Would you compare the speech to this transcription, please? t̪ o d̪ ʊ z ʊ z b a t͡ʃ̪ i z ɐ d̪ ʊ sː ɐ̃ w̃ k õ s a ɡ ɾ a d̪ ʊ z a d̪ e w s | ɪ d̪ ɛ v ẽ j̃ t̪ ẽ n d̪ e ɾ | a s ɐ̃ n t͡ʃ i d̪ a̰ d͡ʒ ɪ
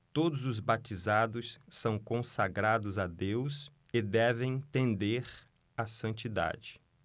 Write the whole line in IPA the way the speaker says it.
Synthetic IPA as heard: t̪ o d̪ ʊ z ʊ z b a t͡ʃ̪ i z a d̪ ʊ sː ɐ̃ w̃ k õ s a ɡ ɾ a d̪ ʊ z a d̪ e w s | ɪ d̪ ɛ v ẽ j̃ t̪ ẽ n d̪ e ɾ | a s ɐ̃ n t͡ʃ i d̪ a̰ d͡ʒ ɪ